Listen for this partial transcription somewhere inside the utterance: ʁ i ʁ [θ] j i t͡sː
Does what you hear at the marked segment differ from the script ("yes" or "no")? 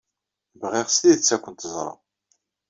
yes